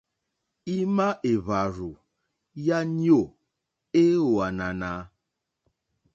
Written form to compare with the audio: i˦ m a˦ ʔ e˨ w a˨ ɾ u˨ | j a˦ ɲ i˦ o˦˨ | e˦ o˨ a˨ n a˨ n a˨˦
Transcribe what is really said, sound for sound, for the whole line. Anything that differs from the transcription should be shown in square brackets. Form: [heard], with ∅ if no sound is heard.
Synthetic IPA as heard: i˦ m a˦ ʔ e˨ [β] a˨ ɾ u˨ | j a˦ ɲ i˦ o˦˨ | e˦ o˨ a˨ n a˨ n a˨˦